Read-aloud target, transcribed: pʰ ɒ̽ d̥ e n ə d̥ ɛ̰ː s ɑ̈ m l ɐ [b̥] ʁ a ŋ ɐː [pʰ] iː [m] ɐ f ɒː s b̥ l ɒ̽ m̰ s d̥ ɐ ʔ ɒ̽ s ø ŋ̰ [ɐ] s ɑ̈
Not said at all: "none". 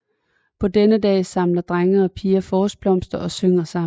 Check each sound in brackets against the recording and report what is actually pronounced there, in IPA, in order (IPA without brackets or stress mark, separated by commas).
d̥, pʰ, none, ɐ